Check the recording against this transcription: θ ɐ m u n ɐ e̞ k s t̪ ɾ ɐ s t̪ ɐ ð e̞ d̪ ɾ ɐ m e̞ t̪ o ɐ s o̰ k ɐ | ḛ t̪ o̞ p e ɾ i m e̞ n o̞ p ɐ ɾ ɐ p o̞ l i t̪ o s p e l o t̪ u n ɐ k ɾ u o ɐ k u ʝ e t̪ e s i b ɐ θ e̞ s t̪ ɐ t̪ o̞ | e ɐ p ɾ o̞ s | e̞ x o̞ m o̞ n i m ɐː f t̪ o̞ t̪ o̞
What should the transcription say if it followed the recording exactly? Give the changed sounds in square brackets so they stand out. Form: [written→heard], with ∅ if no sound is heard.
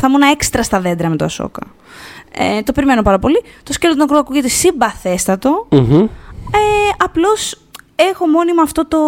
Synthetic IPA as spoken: θ ɐ m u n ɐ e̞ k s t̪ ɾ ɐ s t̪ ɐ ð e̞ d̪ ɾ ɐ m e̞ t̪ o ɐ s o̰ k ɐ | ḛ t̪ o̞ p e ɾ i m e̞ n o̞ p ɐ ɾ ɐ p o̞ l i t̪ o s [p→c] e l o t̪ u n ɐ k ɾ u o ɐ k u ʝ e t̪ e s i b ɐ θ e̞ s t̪ ɐ t̪ o̞ | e ɐ p [ɾ→l] o̞ s | e̞ x o̞ m o̞ n i m ɐː f t̪ o̞ t̪ o̞